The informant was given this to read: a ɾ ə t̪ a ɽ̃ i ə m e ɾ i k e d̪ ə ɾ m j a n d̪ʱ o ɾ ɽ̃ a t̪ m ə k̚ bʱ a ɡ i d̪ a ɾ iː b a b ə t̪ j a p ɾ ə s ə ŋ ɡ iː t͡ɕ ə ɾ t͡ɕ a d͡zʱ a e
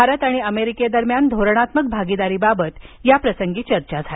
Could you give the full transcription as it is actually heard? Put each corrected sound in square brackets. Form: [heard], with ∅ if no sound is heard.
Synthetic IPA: a ɾ ə t̪ a ɽ̃ i ə m e ɾ i k e d̪ ə ɾ m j a n d̪ʱ o ɾ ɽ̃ a t̪ m ə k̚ bʱ a ɡ i d̪ a ɾ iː b a b ə t̪ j a p ɾ ə s ə ŋ ɡ iː t͡ɕ ə ɾ t͡ɕ a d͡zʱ a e